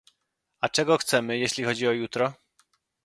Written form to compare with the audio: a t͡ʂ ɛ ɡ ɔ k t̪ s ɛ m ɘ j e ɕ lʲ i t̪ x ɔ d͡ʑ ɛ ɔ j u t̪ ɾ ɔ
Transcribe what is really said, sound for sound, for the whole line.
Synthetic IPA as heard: a t͡ʂ ɛ ɡ ɔ x t̪ s ɛ m ɘ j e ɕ lʲ i x ɔ d͡ʑ i ɔ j u t̪ ɾ ɔ